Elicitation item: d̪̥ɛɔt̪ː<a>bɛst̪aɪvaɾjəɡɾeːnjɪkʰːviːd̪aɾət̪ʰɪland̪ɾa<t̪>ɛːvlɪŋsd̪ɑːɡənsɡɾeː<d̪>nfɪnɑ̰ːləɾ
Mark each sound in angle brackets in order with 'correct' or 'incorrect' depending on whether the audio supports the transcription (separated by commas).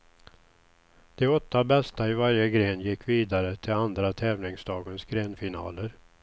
correct, incorrect, incorrect